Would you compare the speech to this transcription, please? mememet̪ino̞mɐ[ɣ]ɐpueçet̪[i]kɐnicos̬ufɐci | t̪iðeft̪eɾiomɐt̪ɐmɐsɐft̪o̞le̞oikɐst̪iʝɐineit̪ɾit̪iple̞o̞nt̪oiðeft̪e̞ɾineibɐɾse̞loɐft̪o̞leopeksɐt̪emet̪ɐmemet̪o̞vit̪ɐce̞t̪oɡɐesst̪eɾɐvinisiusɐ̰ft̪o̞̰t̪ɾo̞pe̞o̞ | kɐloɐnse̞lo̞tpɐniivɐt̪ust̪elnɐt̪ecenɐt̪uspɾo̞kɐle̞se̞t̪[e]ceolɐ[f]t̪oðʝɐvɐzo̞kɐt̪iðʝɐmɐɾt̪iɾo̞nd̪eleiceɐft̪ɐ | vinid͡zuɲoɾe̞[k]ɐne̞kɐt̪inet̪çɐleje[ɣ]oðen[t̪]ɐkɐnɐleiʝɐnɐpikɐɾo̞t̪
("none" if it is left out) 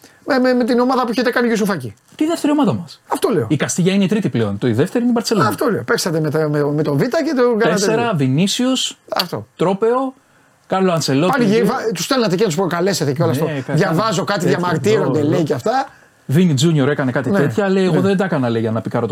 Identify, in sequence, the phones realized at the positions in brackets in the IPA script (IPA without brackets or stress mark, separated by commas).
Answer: ð, e, e, s, k, ɣ, d̪